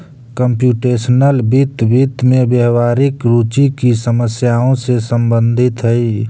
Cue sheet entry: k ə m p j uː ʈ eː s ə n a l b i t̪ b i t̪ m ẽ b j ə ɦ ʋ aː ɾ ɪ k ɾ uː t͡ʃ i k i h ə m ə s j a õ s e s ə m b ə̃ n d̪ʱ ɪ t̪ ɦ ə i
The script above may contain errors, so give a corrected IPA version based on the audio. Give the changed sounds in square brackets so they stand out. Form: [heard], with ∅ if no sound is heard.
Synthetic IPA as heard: k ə m p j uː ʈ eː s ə n [ə] l b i t̪ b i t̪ m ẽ b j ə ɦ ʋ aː ɾ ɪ k ɾ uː t͡ʃ i k i [s] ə m ə s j a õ s e s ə m b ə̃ n d̪ʱ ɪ t̪ ɦ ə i